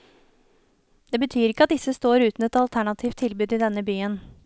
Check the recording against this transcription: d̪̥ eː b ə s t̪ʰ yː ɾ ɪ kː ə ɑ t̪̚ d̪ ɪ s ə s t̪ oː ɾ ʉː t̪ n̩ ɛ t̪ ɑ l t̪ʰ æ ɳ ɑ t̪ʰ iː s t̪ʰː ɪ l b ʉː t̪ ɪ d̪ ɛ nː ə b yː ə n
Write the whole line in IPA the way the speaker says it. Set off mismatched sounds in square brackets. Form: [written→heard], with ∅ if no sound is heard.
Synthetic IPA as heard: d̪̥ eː b ə [s→∅] t̪ʰ yː ɾ ɪ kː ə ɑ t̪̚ d̪ ɪ s ə s t̪ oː ɾ ʉː t̪ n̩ ɛ t̪ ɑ l t̪ʰ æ ɳ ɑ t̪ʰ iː [s→f] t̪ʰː ɪ l b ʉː [t̪→d̪] ɪ d̪ ɛ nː ə b yː ə n

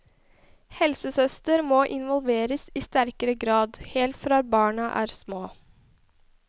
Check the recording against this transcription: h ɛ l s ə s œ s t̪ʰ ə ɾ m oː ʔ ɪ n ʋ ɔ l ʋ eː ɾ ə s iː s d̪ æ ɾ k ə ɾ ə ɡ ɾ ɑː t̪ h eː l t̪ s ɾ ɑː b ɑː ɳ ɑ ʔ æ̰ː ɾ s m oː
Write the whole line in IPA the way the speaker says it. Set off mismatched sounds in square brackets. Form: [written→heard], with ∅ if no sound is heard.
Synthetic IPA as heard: h ɛ l s ə s œ s [t̪ʰ→t̪] ə ɾ m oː ʔ ɪ n ʋ ɔ l ʋ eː ɾ ə s iː s [d̪→t̪] æ ɾ k ə ɾ ə ɡ ɾ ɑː [t̪→d̪] h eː l t̪ [s→f] ɾ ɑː b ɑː ɳ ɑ ʔ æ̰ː ɾ s m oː

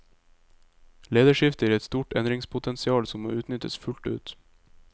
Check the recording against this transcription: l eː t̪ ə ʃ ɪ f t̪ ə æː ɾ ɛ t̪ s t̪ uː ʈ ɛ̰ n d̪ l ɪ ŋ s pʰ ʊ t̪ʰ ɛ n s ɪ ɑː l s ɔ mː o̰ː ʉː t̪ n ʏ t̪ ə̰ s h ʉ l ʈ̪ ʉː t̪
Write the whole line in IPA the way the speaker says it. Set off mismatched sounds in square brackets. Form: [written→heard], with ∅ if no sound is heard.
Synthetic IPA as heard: l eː [t̪→d̪] ə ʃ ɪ f t̪ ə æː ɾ ɛ t̪ s t̪ uː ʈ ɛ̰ n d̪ [l→ɾ] ɪ ŋ s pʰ ʊ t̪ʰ ɛ n s ɪ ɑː l s ɔ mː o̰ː ʉː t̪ n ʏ t̪ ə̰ s [h→f] ʉ l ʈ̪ ʉː t̪

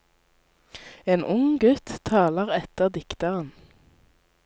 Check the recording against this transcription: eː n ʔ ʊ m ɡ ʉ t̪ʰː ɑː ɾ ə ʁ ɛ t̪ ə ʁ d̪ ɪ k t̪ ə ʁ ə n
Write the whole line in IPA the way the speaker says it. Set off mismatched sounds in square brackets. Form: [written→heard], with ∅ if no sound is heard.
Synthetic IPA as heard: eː n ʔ ʊ [m→ŋ] ɡ ʉ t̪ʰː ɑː [ɾ→l] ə ʁ ɛ t̪ ə ʁ d̪ ɪ k t̪ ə ʁ ə n

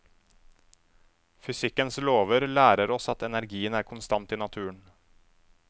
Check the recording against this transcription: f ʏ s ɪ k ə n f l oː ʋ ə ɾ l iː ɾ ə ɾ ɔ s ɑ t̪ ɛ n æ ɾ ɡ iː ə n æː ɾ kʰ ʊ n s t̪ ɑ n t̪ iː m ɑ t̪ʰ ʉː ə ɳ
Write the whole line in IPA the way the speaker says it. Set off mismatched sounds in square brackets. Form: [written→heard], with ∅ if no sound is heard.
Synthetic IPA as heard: f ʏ s ɪ k ə n [f→s] l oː ʋ ə ɾ l [iː→æː] ɾ ə ɾ ɔ s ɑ t̪ ɛ n æ ɾ ɡ iː ə n æː ɾ kʰ ʊ n s t̪ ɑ n t̪ iː [m→n] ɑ t̪ʰ ʉː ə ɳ

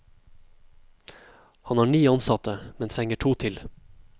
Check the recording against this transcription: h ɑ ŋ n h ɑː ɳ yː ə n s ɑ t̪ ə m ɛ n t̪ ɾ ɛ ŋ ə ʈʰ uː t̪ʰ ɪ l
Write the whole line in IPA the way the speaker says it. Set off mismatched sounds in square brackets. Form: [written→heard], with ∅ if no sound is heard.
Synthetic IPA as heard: h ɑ [ŋ→∅] n h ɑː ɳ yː [ə→ɑ] n s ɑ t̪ ə m ɛ n [t̪→t̪ʰ] ɾ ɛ ŋ ə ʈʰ uː t̪ʰ ɪ l

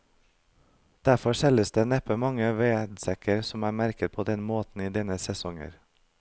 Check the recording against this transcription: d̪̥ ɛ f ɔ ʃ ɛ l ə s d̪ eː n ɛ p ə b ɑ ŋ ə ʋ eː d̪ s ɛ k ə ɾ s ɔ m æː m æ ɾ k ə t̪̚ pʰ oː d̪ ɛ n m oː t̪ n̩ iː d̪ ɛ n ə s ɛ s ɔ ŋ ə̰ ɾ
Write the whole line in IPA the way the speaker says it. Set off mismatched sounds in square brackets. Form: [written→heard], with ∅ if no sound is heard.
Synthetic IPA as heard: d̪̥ [ɛ→æ] f ɔ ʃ ɛ l ə s d̪ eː n ɛ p ə [b→m] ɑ ŋ ə ʋ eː d̪ s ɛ k ə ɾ s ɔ m æː m æ ɾ k ə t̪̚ pʰ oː d̪ ɛ n m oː t̪ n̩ iː d̪ ɛ n ə s ɛ s ɔ ŋ ə̰ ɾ

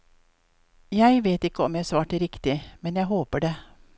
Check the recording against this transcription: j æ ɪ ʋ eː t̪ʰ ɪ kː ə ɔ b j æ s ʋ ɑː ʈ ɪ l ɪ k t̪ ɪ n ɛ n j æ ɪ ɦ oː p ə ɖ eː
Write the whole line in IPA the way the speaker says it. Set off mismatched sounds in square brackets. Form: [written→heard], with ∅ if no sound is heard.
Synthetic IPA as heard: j æ ɪ ʋ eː [t̪ʰ→t̪] ɪ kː ə ɔ [b→m] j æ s ʋ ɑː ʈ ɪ [l→ɾ] ɪ k t̪ ɪ [n→m] ɛ n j æ ɪ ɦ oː p ə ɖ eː

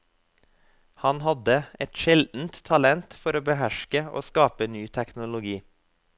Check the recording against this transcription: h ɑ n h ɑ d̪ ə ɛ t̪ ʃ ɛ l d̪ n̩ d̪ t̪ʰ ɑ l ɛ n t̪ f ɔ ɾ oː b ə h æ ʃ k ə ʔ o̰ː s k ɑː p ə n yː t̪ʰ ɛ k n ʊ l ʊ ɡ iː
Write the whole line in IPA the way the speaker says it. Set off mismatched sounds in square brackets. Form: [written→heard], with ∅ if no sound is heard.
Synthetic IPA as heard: h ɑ n h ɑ d̪ ə ɛ t̪ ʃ ɛ l d̪ n̩ [d̪→t̪] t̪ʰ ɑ l ɛ n t̪ f ɔ ɾ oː b ə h æ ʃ k ə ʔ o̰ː s k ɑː p ə n yː t̪ʰ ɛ k n ʊ l ʊ ɡ iː

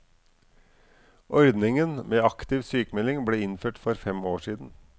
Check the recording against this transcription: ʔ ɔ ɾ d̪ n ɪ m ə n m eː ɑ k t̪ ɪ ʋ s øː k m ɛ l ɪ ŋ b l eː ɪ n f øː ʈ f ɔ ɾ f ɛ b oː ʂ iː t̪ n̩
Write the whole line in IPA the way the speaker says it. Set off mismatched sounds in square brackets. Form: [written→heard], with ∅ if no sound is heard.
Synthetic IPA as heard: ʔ ɔ ɾ d̪ n ɪ [m→ŋ] ə n m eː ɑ k t̪ ɪ ʋ s [øː→yː] k m ɛ l ɪ ŋ b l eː ɪ n f øː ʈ f ɔ ɾ f ɛ [b→m] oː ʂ iː [t̪→d̪] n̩

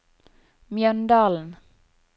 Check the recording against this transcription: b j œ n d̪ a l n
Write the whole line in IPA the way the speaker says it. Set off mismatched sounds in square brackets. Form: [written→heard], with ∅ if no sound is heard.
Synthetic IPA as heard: [b→m] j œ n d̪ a l n

